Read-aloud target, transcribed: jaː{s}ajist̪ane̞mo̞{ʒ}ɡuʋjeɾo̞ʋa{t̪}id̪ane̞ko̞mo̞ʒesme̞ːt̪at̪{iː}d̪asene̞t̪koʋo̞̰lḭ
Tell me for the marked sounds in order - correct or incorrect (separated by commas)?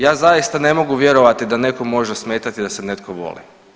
incorrect, incorrect, correct, incorrect